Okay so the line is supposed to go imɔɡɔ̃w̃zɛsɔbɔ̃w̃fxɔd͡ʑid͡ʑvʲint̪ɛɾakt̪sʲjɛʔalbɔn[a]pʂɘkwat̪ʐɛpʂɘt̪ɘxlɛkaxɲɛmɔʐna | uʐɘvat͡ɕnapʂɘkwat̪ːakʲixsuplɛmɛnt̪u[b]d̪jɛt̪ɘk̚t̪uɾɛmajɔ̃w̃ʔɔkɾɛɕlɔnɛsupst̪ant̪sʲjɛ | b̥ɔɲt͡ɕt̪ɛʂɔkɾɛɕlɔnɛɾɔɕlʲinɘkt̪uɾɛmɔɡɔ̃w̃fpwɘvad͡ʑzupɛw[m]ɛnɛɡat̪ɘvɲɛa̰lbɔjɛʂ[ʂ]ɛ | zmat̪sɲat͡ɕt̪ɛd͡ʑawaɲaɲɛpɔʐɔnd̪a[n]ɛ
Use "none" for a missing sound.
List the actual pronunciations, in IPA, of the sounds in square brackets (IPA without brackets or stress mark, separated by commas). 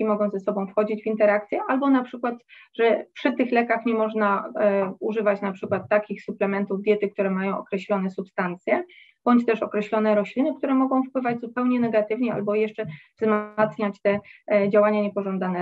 a, v, ɲ, t͡ʂ, n